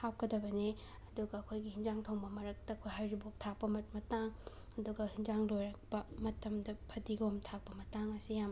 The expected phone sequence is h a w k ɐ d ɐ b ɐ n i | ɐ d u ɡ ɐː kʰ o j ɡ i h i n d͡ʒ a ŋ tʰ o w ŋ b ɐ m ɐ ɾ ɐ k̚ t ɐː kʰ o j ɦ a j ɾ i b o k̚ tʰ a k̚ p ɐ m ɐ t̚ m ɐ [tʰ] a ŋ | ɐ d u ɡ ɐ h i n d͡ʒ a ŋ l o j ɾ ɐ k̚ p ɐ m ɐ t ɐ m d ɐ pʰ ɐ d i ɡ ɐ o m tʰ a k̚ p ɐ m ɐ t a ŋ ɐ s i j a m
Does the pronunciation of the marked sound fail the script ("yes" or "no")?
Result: yes